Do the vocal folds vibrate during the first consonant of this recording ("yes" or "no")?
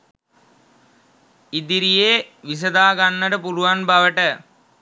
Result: yes